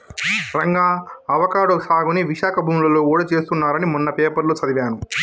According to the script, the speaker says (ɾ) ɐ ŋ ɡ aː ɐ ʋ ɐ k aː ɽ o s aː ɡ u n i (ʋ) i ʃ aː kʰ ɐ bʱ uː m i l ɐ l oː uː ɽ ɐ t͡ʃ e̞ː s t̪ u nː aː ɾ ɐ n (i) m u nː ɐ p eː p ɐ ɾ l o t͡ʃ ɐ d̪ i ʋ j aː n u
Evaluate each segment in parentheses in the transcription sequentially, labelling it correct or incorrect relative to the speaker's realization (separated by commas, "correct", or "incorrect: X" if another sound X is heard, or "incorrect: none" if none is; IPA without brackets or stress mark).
correct, correct, correct